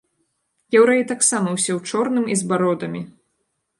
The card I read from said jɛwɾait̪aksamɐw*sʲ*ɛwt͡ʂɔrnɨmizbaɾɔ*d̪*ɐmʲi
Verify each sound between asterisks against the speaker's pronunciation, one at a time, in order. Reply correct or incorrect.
correct, correct

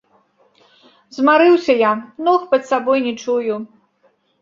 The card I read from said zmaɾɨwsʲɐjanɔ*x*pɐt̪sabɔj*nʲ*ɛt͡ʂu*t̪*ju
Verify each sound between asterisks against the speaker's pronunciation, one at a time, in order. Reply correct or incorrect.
correct, correct, incorrect: none

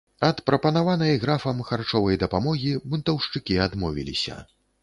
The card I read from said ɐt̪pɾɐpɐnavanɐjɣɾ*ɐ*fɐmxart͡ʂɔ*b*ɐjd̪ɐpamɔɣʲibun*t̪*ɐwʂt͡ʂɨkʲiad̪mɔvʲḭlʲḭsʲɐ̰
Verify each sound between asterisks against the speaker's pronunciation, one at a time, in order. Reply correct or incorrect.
incorrect: a, incorrect: v, correct

